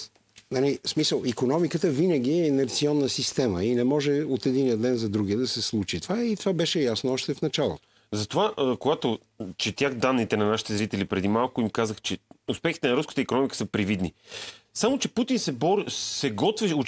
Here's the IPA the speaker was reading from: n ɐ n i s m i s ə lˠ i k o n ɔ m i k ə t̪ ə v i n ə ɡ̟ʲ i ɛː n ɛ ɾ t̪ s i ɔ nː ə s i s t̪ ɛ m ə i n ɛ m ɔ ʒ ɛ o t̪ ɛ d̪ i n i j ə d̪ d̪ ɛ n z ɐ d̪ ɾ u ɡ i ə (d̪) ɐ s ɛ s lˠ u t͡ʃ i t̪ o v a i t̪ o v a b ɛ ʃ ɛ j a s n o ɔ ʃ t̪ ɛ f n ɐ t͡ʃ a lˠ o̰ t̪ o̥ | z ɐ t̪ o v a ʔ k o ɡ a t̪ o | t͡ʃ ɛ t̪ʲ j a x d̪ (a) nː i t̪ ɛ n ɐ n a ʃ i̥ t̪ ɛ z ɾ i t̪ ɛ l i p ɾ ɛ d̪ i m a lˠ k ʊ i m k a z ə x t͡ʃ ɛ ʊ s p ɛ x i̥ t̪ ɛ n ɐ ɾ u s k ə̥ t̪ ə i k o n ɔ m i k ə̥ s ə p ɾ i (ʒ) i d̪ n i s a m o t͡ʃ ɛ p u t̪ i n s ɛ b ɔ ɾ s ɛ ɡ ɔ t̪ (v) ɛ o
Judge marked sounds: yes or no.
yes, yes, no, yes

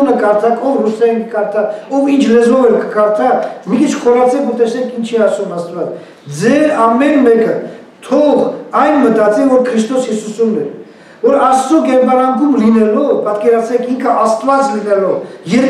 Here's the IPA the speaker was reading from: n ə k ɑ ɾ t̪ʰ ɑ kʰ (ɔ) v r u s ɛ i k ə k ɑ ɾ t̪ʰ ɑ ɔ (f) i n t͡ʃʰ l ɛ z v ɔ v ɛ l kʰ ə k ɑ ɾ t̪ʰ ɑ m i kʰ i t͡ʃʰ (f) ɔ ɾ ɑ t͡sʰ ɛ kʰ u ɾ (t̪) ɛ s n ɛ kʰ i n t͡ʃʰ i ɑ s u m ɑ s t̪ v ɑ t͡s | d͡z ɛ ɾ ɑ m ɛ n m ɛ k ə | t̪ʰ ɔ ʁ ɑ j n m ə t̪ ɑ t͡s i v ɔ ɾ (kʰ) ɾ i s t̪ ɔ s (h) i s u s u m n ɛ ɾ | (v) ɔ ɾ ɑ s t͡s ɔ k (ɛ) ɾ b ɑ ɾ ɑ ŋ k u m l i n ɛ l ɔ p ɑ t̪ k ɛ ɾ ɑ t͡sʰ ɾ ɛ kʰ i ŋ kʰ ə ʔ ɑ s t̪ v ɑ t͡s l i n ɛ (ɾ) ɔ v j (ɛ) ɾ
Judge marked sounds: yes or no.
yes, no, no, yes, yes, yes, yes, yes, no, yes

